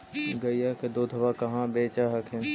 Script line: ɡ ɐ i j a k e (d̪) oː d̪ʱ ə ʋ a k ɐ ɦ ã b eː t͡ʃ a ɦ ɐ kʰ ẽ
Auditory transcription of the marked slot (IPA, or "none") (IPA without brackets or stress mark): d̪